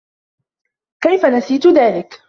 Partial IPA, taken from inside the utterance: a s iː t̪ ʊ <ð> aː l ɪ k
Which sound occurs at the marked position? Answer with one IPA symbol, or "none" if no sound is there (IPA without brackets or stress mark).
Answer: ð